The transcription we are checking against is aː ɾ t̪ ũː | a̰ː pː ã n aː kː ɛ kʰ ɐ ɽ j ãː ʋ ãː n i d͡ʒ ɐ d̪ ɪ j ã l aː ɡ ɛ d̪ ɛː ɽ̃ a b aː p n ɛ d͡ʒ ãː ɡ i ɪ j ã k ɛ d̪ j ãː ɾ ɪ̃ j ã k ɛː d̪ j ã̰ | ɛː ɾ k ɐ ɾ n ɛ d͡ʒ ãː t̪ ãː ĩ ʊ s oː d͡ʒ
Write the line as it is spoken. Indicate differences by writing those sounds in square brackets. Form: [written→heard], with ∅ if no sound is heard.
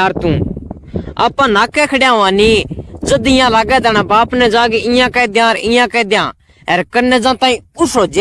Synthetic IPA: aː ɾ t̪ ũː | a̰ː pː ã n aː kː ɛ kʰ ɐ ɽ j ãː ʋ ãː n i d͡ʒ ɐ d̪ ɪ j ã l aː ɡ ɛ d̪ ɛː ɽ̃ a b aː p n ɛ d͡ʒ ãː ɡ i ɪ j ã k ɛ d̪ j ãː ɾ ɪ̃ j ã k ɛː d̪ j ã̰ | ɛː ɾ k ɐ ɾ n ɛ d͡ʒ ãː t̪ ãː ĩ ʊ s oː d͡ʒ